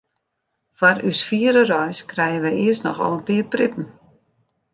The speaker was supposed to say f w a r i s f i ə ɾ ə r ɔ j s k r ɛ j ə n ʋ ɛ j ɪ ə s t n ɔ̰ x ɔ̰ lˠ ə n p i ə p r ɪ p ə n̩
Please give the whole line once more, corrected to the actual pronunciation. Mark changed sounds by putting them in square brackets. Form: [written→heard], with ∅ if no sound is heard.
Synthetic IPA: f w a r [i→y] s f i ə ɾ ə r ɔ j s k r ɛ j ə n ʋ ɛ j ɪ ə s t n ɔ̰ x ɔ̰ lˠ ə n p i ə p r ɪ p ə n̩